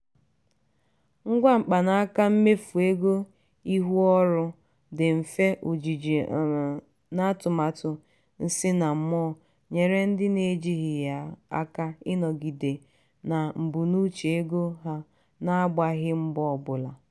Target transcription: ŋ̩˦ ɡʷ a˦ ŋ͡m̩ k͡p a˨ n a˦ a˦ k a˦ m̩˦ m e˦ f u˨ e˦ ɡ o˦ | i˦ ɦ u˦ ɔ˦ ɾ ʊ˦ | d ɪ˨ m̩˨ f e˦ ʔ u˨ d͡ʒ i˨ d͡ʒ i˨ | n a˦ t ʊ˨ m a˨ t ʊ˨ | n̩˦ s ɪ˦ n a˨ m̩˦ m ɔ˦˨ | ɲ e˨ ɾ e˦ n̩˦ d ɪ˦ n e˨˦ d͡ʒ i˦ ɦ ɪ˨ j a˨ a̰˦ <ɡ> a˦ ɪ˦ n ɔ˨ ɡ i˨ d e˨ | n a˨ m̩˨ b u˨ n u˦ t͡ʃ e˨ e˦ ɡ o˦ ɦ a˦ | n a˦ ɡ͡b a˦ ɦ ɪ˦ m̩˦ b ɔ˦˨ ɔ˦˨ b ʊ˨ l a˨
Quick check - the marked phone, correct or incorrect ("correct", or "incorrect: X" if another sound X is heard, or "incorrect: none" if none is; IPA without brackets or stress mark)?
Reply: incorrect: k